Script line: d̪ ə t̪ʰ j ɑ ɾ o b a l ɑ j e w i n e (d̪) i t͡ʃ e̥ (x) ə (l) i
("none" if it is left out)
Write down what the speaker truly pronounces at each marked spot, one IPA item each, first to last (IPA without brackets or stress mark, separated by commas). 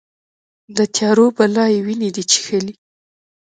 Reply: d̪, x, l